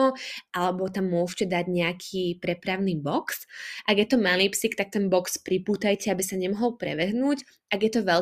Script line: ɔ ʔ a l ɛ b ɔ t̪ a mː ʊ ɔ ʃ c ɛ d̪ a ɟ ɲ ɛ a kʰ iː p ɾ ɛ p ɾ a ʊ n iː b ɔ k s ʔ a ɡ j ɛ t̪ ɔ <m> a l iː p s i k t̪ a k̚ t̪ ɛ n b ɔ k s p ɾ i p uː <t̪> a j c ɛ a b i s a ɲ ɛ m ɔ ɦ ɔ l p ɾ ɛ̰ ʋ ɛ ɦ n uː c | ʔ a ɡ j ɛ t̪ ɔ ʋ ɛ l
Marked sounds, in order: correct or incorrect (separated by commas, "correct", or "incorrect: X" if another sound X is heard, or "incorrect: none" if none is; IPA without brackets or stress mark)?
correct, correct